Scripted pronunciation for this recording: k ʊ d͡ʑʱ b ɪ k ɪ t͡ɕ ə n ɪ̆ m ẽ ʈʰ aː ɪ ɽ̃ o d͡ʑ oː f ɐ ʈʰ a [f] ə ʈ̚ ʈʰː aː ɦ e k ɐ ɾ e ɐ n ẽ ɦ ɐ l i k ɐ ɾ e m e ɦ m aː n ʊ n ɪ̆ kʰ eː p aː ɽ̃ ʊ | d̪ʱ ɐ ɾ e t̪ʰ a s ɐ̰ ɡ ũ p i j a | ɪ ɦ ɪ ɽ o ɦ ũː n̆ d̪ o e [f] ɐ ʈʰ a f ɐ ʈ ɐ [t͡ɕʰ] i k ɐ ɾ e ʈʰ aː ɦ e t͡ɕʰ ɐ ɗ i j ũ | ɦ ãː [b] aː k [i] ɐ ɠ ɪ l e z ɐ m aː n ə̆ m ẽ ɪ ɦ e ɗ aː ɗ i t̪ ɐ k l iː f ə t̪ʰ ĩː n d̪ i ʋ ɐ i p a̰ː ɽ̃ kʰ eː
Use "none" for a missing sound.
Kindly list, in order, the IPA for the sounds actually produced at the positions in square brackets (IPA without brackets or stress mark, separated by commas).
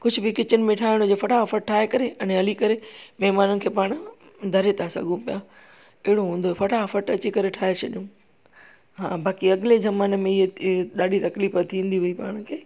f, f, t͡ɕ, b, i